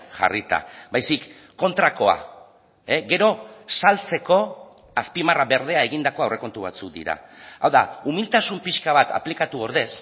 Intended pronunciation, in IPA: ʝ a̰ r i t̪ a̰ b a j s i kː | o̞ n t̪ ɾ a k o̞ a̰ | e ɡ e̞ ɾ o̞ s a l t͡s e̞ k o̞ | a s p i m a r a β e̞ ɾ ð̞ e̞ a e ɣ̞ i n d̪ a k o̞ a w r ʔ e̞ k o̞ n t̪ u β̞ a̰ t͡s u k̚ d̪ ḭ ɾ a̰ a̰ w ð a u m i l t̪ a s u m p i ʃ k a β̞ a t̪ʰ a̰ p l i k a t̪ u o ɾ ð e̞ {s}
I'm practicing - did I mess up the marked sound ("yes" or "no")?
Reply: no